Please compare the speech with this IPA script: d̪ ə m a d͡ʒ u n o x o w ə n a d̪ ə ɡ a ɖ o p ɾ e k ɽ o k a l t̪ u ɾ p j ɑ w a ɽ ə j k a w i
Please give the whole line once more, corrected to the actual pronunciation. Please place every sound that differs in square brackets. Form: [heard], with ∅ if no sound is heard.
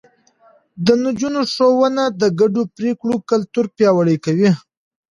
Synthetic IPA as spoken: d̪ ə [n] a d͡ʒ u n o [ʂ] o w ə n a d̪ ə ɡ a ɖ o p ɾ e k ɽ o k a l t̪ u ɾ p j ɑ w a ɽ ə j k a w i